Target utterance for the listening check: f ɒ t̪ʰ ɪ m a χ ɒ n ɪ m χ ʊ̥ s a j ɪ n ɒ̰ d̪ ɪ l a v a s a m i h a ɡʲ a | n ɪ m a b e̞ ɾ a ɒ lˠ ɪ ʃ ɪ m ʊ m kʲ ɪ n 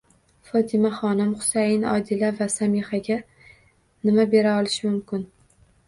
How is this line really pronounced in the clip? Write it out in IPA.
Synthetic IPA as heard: f ɒ t̪ʰ ɪ m a χ ɒ n ɪ m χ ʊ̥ s a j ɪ n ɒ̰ d̪ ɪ l a v a s a m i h a ɡʲ a | n ɪ m a b e̞ ɾ a ɒ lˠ ɪ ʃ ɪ m ʊ m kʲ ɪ n